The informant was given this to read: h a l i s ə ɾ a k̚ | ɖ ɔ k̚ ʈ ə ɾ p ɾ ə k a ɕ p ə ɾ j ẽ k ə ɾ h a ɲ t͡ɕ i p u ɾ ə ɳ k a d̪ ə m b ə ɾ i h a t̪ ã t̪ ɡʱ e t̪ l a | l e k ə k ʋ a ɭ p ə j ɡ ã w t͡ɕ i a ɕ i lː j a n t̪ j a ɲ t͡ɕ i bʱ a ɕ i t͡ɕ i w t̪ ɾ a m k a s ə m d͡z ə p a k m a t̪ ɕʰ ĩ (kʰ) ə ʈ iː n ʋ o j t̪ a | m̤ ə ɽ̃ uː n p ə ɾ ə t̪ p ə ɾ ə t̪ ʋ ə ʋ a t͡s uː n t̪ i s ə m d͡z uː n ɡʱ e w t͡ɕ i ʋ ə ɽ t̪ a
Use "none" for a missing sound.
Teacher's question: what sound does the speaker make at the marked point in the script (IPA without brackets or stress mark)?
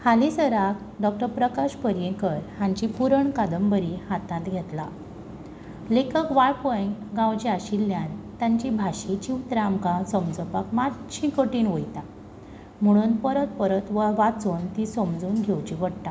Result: k